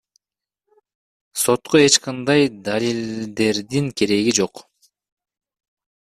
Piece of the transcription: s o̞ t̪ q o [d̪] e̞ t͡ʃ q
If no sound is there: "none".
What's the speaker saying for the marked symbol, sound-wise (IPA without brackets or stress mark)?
none